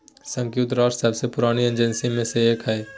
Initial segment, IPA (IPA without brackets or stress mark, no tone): s